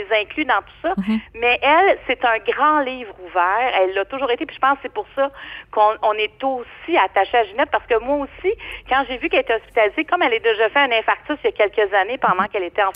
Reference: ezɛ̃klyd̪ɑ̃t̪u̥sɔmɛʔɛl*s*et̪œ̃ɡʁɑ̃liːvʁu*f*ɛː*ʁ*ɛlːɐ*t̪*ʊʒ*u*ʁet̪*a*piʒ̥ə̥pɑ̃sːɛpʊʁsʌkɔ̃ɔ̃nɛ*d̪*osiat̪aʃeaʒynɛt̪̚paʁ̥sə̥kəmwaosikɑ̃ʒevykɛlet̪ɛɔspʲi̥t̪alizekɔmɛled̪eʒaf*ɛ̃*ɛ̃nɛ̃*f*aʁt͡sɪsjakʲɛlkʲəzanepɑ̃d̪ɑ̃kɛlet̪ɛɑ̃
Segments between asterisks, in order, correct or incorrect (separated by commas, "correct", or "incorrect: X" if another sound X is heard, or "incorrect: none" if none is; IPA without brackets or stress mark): correct, incorrect: v, correct, correct, incorrect: uː, incorrect: e, incorrect: t̪, incorrect: ɛ, correct